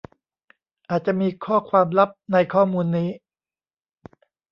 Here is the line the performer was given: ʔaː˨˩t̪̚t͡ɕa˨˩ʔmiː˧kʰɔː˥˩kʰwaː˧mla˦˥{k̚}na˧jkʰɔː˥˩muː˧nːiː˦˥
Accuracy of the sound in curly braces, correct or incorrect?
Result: incorrect